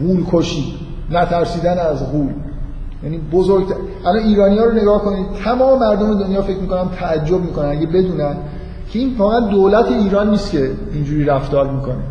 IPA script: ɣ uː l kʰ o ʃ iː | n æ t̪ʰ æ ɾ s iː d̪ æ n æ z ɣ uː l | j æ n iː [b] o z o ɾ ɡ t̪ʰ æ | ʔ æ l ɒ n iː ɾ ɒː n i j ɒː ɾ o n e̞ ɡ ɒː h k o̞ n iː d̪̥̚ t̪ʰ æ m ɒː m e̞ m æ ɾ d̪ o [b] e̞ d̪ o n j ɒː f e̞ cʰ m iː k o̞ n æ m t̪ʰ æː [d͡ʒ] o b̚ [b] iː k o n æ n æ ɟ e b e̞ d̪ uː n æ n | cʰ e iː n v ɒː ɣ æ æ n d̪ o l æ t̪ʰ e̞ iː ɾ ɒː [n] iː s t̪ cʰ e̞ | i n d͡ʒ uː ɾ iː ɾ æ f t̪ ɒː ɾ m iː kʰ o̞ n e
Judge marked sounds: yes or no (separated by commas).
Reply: yes, no, no, no, no